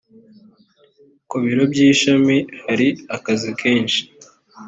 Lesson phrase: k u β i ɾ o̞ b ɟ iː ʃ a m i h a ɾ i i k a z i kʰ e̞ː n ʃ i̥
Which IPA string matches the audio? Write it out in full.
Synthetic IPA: k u β i ɾ o̞ b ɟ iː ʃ a m i h a ɾ i a k a z i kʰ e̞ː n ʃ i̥